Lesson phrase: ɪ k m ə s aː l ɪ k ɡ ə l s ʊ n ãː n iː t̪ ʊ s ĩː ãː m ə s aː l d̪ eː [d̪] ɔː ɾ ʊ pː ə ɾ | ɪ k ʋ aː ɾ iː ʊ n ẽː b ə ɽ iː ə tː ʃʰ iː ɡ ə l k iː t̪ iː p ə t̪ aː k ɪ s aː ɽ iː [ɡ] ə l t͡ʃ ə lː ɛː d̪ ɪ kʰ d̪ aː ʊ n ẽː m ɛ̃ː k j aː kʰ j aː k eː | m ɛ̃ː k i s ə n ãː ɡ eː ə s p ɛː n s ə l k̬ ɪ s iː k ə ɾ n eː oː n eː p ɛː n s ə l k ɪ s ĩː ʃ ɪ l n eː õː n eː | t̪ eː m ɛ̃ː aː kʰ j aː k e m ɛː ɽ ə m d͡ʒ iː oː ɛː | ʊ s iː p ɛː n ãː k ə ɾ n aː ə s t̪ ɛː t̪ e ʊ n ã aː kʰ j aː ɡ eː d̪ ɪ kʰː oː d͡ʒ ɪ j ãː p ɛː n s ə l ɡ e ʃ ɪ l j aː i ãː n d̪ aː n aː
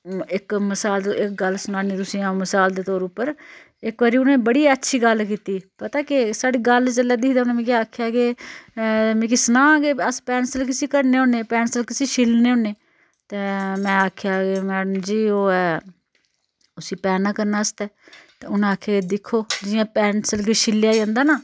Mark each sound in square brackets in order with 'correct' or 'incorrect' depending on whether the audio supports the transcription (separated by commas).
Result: incorrect, correct